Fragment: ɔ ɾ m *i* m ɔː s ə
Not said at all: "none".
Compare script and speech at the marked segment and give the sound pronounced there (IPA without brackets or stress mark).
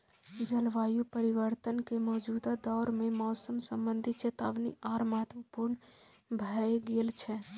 e